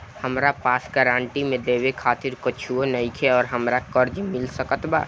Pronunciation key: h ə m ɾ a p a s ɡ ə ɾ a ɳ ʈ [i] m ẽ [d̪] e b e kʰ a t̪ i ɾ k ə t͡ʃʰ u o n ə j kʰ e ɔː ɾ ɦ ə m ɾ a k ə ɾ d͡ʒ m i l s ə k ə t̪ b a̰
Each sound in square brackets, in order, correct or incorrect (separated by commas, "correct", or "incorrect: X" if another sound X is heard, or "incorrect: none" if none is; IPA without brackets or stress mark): correct, correct